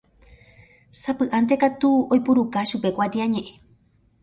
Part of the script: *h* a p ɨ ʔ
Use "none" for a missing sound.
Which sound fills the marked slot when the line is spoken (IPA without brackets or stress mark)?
s